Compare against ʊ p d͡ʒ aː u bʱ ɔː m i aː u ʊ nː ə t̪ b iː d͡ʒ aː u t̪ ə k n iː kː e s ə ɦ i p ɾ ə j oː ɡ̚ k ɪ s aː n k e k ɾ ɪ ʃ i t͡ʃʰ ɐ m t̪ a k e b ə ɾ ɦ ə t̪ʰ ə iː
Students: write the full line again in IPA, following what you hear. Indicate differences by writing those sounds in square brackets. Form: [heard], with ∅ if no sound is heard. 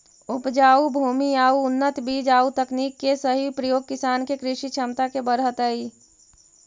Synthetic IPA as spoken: ʊ p d͡ʒ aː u bʱ [uː] m i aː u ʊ nː ə t̪ b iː d͡ʒ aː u t̪ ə k n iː kː e s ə ɦ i p ɾ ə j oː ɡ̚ k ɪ s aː n k e k ɾ ɪ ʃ i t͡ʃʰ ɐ m t̪ a k e b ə ɾ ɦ ə [t̪] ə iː

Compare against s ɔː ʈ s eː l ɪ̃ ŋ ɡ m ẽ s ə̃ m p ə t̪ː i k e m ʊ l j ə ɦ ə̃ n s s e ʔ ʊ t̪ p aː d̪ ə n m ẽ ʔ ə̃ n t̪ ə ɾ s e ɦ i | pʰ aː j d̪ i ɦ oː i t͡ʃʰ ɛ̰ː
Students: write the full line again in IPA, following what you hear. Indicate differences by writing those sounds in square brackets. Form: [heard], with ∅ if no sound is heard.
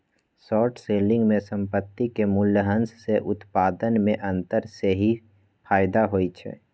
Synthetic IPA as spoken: s ɔː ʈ s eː l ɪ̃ ŋ ɡ m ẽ s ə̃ m p ə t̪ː i k e m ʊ l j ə ɦ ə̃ n s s e ʔ ʊ t̪ p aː d̪ ə n m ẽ ʔ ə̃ n t̪ ə ɾ s e ɦ i | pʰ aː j d̪ [a] ɦ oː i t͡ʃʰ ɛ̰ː

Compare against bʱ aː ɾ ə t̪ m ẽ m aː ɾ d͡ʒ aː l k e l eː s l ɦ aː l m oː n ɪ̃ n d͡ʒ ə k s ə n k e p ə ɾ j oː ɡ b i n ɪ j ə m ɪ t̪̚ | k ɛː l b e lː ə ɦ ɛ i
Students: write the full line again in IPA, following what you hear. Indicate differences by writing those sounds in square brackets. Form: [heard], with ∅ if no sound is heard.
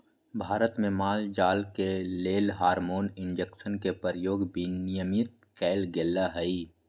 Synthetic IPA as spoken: bʱ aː ɾ ə t̪ m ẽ m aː [l] d͡ʒ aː l k e l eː [∅] l ɦ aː [ɾ] m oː n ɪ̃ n d͡ʒ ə k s ə n k e p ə ɾ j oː ɡ b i n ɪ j ə m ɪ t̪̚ | k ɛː l [ɡ] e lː [a] ɦ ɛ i

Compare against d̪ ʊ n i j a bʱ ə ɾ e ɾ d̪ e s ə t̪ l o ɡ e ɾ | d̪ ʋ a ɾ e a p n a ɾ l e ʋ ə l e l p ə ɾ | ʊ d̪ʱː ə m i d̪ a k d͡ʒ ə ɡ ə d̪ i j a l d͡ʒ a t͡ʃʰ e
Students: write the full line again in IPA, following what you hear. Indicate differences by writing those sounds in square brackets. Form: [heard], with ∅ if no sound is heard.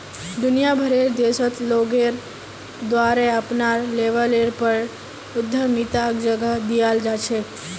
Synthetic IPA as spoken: d̪ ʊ n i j a bʱ ə ɾ e ɾ d̪ e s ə t̪ l o ɡ e ɾ | d̪ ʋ a ɾ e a p n a ɾ l e ʋ ə l e [ɾ] p ə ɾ | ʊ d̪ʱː ə m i [t̪] a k d͡ʒ ə ɡ ə d̪ i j a l d͡ʒ a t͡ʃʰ e

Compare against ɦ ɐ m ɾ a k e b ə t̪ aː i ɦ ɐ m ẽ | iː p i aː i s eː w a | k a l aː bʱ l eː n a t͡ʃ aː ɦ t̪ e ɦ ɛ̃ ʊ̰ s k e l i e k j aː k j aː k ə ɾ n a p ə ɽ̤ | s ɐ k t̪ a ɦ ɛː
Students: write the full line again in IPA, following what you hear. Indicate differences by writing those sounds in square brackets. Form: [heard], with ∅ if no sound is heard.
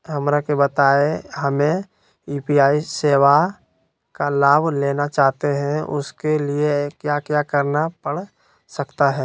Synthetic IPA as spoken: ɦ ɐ m ɾ a k e b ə t̪ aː [e] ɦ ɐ m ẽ | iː p i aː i s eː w a | k a l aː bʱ l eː n a t͡ʃ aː ɦ t̪ e ɦ ɛ̃ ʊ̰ s k e l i e k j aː k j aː k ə ɾ n a p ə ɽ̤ | s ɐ k t̪ a ɦ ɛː

